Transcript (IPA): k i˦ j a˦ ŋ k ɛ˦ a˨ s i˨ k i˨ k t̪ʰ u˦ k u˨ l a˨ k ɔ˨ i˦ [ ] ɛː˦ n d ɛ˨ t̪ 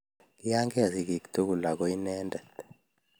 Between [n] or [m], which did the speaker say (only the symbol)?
n